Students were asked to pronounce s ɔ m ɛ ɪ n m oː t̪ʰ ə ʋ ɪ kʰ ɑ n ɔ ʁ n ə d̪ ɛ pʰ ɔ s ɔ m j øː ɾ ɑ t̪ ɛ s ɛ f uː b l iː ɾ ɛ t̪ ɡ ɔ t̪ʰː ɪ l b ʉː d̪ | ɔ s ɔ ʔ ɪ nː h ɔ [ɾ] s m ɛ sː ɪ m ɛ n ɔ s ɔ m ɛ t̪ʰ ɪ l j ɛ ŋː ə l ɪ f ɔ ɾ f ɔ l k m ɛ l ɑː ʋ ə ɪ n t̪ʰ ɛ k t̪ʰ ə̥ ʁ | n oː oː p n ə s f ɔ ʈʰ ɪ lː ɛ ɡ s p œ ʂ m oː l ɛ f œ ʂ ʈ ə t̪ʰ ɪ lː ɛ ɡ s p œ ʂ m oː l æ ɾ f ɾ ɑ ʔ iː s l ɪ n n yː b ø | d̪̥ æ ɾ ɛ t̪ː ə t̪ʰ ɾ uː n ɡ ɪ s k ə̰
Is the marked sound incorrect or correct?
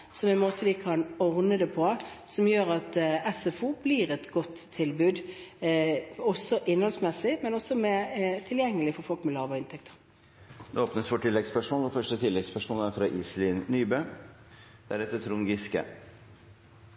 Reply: incorrect